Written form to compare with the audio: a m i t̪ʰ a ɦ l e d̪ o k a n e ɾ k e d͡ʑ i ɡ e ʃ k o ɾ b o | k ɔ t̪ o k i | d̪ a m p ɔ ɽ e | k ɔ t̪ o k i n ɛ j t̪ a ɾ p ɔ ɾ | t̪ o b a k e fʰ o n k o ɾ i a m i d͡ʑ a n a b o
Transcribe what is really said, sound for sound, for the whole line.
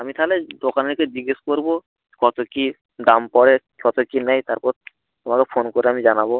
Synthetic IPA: a m i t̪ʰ a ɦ l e d̪ o k a n e ɾ k e d͡ʑ i ɡ e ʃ k o ɾ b o | k ɔ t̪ o k i | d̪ a m p ɔ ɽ e | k ɔ t̪ o k i n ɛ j t̪ a ɾ p ɔ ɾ | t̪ o m a k e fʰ o n k o ɾ e a m i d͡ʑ a n a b o